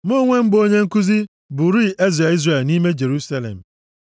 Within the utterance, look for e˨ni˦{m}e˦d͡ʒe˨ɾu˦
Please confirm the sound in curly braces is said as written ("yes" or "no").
yes